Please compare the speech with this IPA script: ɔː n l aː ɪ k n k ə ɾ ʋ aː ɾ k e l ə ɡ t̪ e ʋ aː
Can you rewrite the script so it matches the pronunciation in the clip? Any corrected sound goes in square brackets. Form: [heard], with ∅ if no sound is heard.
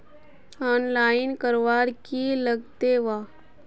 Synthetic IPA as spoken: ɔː n l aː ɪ [∅] n k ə ɾ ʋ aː ɾ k [i] l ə ɡ t̪ e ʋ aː